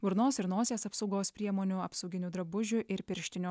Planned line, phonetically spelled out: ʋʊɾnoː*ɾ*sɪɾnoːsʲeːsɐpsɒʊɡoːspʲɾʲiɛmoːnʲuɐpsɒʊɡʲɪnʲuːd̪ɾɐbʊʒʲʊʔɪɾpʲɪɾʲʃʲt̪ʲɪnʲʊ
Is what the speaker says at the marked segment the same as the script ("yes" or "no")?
no